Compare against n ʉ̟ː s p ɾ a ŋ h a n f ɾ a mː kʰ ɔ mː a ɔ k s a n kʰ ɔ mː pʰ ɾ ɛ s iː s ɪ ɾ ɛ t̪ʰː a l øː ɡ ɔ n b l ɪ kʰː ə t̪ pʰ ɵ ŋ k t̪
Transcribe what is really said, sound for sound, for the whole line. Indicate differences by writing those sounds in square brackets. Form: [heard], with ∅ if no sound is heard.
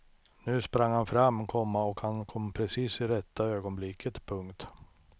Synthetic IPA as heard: n ʉ̟ː s p ɾ a ŋ h a n f ɾ a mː kʰ ɔ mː a ɔ k [h] a n kʰ ɔ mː pʰ ɾ ɛ s iː s ɪ ɾ ɛ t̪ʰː a [∅] øː ɡ ɔ n b l ɪ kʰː ə t̪ pʰ ɵ ŋ k t̪